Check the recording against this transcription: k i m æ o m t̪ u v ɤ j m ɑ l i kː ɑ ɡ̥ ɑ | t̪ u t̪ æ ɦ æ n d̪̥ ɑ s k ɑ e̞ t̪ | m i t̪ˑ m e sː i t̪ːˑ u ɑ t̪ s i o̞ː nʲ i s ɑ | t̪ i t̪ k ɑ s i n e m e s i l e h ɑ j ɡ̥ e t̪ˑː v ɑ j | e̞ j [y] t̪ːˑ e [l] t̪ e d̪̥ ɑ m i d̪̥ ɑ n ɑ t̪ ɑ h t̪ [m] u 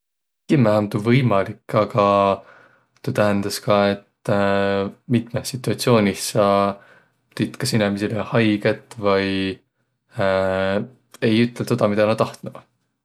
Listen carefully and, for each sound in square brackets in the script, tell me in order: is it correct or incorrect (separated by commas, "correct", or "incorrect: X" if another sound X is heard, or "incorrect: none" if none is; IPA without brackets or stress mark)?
correct, correct, incorrect: n